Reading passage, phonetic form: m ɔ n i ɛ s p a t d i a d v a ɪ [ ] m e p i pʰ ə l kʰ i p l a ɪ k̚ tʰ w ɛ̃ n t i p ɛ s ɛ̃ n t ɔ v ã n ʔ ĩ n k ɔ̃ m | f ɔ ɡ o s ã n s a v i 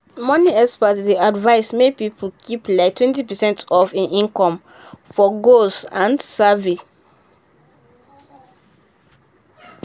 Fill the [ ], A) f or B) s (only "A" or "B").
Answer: B